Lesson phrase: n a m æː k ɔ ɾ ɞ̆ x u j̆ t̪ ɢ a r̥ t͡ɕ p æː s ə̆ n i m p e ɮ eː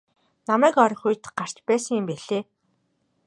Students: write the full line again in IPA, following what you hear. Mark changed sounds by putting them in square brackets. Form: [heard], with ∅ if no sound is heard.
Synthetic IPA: n a m æː k ɔ ɾ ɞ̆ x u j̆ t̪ ɢ a r̥ t͡ɕ p æː s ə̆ [ŋ] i m p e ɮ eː